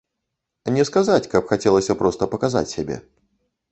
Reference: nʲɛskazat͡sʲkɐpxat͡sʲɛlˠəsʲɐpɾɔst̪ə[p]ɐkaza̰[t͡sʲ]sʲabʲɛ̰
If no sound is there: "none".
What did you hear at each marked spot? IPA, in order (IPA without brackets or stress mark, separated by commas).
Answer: p, t͡sʲ